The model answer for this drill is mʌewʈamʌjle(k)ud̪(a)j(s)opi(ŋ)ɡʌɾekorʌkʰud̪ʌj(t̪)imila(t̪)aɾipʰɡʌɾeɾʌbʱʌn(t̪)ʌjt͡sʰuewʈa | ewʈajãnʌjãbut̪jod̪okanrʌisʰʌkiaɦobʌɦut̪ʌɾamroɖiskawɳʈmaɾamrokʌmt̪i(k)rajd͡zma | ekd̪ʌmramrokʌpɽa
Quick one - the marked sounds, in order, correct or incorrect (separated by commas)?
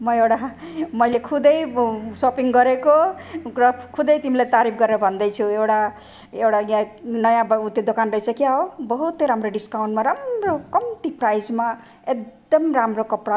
incorrect, incorrect, correct, correct, correct, correct, incorrect, incorrect